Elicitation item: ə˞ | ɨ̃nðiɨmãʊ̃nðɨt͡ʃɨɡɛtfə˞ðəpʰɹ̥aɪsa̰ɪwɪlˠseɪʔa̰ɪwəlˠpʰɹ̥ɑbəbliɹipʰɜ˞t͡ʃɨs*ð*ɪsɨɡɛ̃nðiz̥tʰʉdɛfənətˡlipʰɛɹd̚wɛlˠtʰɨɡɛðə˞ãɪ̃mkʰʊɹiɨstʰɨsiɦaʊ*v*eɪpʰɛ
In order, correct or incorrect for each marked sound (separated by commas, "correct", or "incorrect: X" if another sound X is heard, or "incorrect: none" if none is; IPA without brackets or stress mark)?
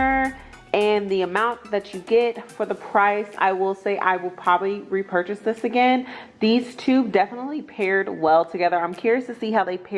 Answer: correct, incorrect: ð